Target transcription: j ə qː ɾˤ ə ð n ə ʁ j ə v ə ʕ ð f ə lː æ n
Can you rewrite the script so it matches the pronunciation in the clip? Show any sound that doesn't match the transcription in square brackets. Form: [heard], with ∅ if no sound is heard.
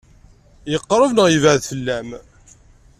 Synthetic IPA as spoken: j ə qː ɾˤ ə [v] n ə ʁ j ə v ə ʕ ð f ə lː æ [m]